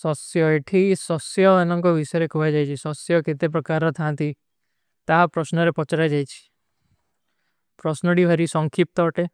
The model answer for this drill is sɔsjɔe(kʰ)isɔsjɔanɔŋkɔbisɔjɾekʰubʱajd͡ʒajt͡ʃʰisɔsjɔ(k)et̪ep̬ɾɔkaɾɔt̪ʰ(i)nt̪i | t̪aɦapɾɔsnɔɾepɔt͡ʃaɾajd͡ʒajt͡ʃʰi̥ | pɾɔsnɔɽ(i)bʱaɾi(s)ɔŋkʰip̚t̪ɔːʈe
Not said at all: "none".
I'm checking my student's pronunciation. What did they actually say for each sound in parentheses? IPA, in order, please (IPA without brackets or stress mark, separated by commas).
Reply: ʈʰ, k, a, i, s